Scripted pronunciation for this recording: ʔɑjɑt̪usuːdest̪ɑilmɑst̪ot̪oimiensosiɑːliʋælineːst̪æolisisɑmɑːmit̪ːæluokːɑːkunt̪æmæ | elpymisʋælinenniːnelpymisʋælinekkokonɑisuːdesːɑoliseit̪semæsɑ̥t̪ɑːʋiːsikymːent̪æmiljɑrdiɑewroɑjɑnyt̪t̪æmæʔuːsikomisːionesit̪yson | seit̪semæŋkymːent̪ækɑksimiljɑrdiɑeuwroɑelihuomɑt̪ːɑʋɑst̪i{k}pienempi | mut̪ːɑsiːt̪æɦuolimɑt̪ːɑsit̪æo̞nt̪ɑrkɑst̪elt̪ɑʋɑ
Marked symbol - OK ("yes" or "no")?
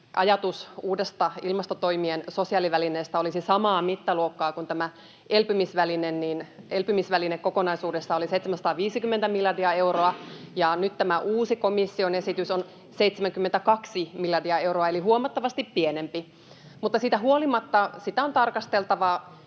no